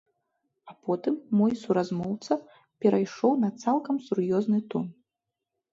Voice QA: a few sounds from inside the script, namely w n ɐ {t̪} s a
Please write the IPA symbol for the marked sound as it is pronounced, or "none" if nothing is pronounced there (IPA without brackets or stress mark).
t̪